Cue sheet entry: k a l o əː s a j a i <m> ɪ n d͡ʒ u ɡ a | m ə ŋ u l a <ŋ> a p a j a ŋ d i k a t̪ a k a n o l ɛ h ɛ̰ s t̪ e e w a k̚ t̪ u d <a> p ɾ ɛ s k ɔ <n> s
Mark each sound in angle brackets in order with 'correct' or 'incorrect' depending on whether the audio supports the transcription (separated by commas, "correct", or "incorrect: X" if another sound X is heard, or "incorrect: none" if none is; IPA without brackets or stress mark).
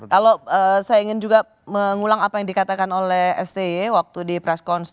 incorrect: ŋ, correct, incorrect: i, correct